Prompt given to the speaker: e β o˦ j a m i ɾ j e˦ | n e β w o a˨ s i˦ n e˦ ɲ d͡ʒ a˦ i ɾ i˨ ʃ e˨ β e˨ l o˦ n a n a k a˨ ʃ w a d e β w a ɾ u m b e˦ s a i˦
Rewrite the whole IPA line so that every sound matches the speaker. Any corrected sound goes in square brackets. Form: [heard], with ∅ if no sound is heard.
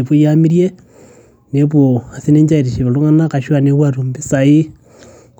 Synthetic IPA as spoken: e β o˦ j a m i ɾ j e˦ | n e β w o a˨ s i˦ n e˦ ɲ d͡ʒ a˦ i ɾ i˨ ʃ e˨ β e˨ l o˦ [ŋ] a n a k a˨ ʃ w a [n] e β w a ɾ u m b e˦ s a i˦